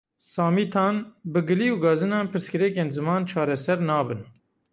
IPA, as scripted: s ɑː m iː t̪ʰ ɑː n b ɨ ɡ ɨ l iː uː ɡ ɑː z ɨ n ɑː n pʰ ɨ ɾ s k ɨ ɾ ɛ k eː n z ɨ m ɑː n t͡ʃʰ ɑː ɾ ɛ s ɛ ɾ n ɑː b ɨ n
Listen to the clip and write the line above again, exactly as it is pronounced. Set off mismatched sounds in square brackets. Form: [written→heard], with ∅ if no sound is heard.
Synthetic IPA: s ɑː m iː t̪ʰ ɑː n b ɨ ɡ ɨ l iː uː ɡ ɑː z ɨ n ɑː n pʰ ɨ ɾ s k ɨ ɾ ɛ k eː n z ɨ m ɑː n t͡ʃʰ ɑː ɾ ɛ s ɛ ɾ n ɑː b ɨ n